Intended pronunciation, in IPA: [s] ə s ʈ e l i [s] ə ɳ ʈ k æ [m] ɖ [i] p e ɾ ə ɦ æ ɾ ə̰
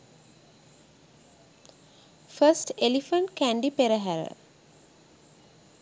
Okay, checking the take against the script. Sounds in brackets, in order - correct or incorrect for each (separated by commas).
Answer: incorrect, incorrect, incorrect, correct